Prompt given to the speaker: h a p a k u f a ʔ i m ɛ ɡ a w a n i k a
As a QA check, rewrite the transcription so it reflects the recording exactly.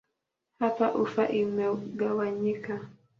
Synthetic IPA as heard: h a p a ʔ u f a ʔ i m ɛ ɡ a w a ɲ i k a